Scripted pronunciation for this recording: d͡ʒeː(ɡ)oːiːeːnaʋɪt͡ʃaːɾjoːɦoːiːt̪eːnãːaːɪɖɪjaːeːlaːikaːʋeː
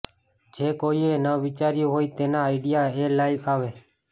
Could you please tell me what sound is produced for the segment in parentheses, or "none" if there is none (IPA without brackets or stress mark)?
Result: k